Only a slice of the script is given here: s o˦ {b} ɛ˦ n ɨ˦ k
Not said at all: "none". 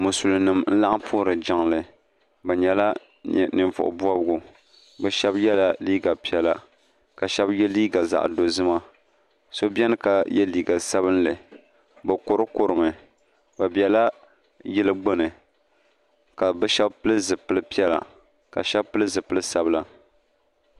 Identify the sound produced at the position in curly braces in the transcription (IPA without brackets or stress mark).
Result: b